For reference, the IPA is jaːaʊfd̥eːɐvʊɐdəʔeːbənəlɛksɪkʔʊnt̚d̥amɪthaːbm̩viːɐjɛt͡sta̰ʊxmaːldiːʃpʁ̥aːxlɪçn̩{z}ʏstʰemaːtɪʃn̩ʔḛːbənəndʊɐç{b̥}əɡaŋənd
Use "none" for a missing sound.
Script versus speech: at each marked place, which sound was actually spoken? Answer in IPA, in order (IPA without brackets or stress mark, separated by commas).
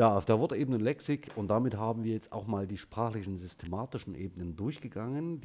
z, ɡ̥